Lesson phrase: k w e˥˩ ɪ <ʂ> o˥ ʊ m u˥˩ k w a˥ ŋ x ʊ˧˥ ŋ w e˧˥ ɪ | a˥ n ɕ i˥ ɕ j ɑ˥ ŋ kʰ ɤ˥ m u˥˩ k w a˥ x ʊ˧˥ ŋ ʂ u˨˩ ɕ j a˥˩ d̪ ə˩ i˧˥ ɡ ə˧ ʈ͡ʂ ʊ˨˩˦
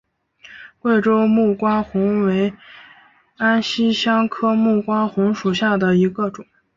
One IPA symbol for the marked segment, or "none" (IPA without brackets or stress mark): ʈ͡ʂ